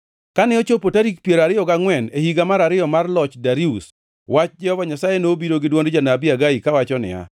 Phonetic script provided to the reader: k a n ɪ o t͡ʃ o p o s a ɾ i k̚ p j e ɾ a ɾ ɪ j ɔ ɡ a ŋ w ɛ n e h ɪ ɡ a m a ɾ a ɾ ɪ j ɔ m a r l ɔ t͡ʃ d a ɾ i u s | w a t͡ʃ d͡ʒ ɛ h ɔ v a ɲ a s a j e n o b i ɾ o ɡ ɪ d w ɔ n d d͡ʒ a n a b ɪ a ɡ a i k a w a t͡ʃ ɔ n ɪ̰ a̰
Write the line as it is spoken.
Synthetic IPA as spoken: k a n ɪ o t͡ʃ o p o t a ɾ i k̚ p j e ɾ a ɾ ɪ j ɔ ɡ a ŋ w ɛ n e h i ɡ a m a ɾ a ɾ ɪ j ɔ m a r l ɔ t͡ʃ d a ɾ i u s | w a t͡ʃ d͡ʒ ɛ h ɔ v a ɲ a s a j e n o b i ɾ o ɡ ɪ d w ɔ n d d͡ʒ a n a b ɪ a ɡ a i k a w a t͡ʃ ɔ n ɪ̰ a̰